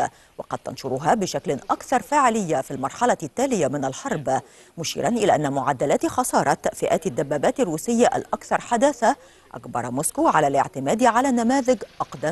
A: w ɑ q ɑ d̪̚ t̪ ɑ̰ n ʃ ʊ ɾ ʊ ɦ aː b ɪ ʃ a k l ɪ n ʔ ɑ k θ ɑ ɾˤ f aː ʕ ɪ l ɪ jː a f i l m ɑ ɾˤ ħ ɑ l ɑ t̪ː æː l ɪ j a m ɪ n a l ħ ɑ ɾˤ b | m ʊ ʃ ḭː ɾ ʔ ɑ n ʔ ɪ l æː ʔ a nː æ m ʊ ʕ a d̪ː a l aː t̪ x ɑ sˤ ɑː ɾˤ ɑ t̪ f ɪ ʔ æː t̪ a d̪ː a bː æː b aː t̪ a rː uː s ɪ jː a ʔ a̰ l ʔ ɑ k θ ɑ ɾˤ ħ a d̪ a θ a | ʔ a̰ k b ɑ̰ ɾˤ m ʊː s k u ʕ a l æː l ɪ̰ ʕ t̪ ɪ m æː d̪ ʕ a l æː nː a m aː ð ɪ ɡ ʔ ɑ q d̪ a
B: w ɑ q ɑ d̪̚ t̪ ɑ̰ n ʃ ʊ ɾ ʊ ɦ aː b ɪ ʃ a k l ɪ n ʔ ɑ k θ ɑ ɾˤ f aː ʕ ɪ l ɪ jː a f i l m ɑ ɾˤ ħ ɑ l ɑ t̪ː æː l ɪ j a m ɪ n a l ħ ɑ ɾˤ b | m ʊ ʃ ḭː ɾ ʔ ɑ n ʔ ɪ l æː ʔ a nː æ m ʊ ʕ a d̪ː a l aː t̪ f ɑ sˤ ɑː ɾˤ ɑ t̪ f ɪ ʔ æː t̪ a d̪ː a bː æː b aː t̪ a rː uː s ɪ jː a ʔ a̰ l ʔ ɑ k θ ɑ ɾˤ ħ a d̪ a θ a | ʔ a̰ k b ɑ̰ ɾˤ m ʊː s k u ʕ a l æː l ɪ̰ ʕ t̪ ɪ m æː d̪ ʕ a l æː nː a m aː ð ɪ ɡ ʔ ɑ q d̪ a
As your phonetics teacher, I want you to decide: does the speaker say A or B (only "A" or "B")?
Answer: A